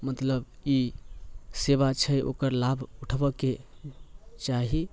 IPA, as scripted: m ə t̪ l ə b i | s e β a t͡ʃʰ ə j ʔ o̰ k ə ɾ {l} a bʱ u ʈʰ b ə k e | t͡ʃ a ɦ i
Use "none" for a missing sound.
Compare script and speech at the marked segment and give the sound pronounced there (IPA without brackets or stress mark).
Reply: l